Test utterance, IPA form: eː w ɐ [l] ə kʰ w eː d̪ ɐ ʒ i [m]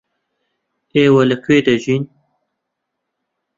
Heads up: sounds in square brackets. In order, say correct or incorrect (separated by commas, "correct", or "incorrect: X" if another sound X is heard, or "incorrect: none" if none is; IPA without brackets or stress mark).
correct, incorrect: n